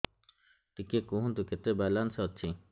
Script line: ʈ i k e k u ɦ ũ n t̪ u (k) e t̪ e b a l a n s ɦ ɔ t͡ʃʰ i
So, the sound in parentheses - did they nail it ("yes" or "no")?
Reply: yes